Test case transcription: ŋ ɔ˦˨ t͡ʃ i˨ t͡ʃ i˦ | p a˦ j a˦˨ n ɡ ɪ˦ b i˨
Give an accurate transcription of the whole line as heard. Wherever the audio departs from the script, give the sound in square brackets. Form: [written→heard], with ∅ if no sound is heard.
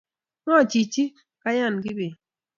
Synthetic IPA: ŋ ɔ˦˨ t͡ʃ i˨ t͡ʃ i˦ | [p→k] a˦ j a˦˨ n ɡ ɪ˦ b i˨